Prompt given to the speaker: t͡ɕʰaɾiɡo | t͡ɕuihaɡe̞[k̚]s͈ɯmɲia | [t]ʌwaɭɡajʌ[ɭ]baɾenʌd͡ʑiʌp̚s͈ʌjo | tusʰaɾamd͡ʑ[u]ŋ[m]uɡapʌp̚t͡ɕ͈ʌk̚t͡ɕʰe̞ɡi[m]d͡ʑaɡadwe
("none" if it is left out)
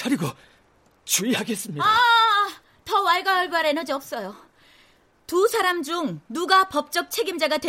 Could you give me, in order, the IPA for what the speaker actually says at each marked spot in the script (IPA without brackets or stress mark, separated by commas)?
none, t, ɭ, u, n, m